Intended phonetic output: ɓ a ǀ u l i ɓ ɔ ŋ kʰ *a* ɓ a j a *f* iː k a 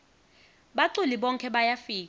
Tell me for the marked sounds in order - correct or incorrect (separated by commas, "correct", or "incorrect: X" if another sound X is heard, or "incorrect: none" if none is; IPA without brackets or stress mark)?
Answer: incorrect: ɛ, correct